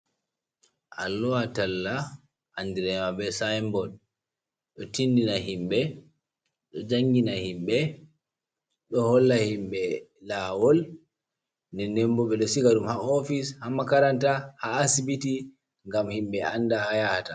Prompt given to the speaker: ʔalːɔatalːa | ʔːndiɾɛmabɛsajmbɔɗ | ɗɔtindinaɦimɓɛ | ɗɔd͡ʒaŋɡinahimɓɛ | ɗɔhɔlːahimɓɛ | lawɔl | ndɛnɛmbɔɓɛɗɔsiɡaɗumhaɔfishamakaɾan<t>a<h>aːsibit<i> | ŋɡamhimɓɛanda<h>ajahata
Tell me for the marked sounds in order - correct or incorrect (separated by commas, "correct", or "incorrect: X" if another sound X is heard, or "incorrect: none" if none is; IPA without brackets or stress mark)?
correct, correct, correct, correct